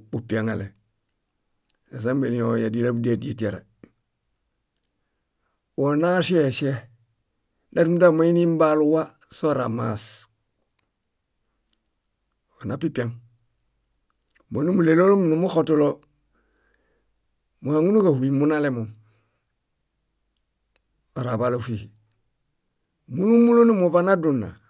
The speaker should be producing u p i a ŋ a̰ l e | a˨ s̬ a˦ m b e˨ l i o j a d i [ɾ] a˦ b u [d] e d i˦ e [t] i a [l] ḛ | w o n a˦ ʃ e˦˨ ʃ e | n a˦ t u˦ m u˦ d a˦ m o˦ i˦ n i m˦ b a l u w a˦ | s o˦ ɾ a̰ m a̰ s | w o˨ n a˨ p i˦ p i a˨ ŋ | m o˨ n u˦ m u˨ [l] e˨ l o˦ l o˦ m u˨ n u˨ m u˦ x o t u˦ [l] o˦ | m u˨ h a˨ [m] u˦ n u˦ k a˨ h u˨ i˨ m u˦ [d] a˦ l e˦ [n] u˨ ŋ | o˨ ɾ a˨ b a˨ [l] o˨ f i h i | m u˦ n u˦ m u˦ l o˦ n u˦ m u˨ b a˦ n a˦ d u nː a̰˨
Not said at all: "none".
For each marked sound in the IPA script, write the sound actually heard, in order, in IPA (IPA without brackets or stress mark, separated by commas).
l, d, t, ɾ, l, l, ŋ, n, m, l